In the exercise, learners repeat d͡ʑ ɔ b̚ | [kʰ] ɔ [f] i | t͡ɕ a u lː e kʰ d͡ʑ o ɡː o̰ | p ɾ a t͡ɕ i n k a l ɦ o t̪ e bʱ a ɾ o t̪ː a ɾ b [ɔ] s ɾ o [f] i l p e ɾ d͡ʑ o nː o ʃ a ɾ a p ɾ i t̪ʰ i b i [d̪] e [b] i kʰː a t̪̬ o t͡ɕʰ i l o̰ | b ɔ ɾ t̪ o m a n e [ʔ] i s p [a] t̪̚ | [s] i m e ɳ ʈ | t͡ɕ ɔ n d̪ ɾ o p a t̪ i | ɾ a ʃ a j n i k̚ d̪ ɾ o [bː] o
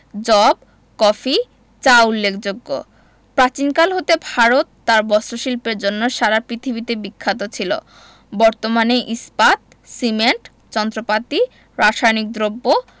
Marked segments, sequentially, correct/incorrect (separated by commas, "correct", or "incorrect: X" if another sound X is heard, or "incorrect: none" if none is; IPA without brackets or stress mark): incorrect: k, correct, correct, incorrect: ʃ, incorrect: t̪, correct, correct, correct, correct, correct